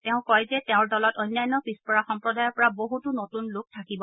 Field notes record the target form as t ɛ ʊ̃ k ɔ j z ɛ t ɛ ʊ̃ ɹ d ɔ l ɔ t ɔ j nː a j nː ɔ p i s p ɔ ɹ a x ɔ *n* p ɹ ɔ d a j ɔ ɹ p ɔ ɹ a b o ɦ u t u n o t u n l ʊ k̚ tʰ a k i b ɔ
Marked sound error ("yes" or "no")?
yes